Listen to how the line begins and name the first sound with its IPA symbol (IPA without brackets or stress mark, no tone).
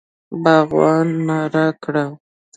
b